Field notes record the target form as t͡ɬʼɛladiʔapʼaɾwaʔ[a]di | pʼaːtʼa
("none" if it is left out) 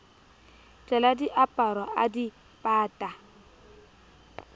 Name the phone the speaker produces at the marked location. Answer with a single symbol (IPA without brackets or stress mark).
a